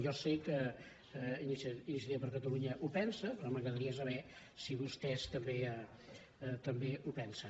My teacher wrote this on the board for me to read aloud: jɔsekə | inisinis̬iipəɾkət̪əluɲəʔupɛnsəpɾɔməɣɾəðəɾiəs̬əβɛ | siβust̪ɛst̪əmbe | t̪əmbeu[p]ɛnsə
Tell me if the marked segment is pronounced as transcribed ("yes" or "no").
yes